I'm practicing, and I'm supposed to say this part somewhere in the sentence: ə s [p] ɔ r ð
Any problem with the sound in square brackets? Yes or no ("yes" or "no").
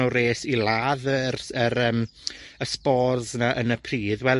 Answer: no